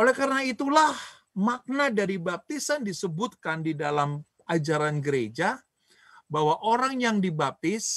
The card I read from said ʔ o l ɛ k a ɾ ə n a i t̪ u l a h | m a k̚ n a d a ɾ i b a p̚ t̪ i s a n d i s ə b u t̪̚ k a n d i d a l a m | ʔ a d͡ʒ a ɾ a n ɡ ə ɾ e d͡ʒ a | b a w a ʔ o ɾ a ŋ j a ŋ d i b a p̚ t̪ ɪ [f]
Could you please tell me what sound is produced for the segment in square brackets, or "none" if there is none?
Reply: s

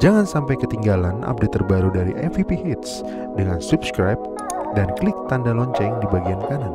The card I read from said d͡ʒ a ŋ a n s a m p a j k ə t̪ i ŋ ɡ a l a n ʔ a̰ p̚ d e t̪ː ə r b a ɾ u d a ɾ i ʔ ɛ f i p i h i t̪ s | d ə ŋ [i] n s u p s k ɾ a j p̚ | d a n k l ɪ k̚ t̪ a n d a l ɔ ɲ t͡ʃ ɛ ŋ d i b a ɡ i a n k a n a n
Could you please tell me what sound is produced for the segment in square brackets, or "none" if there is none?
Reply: a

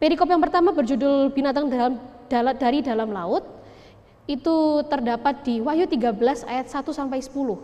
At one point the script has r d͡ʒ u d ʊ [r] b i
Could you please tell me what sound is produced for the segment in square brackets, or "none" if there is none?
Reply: l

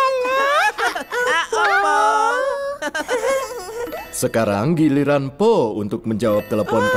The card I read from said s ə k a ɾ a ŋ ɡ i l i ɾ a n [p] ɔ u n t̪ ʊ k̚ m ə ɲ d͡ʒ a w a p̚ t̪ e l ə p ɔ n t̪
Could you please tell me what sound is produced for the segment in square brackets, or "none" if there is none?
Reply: p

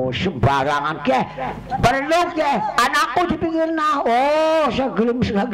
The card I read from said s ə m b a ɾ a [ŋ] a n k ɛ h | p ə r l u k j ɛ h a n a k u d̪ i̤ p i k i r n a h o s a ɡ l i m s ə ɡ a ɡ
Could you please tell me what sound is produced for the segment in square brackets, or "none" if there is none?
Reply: ŋ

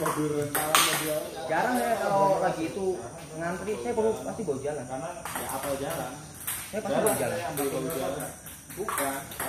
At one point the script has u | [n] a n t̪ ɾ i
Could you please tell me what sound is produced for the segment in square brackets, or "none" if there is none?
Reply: ŋ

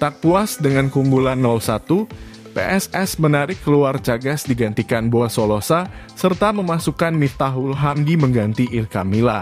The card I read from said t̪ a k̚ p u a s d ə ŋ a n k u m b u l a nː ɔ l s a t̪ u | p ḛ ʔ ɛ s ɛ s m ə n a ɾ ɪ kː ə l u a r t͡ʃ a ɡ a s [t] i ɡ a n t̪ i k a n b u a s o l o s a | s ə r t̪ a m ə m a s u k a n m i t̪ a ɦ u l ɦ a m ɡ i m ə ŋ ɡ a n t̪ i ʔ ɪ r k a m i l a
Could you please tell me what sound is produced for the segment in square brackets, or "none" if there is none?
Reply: d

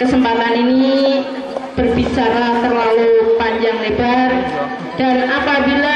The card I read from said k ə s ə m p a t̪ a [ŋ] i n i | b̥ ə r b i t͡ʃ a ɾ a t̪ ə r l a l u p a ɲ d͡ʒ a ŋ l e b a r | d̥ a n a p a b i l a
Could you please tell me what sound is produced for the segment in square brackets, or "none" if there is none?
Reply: n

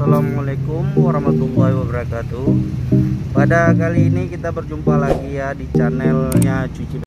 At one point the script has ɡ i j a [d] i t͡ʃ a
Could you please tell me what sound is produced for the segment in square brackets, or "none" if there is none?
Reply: d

